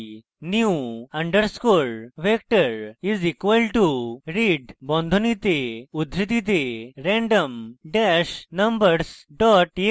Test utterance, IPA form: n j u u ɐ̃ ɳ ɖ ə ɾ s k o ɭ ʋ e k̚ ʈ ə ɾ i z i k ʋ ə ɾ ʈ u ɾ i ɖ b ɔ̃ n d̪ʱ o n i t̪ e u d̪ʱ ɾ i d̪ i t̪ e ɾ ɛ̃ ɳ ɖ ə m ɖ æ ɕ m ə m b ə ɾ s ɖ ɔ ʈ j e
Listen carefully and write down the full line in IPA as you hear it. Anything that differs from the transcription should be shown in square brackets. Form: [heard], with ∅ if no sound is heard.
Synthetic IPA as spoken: n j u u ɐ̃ ɳ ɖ ə ɾ s k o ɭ ʋ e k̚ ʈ ə ɾ i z i k ʋ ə [l] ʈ u ɾ i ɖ b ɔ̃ n d̪ʱ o n i t̪ e u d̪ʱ ɾ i [t̪] i t̪ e ɾ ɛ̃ ɳ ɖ ə m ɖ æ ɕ [n] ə m b ə ɾ s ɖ ɔ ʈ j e